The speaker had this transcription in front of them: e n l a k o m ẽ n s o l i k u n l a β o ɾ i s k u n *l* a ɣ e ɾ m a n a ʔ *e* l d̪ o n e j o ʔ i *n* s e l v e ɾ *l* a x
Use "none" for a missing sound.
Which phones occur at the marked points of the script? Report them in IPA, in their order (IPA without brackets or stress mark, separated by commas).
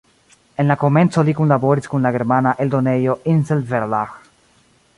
l, e, n, l